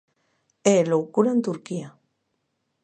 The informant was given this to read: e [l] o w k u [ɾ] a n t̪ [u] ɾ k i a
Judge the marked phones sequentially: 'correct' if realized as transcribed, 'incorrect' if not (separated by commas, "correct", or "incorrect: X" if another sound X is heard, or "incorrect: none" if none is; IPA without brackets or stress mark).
correct, correct, correct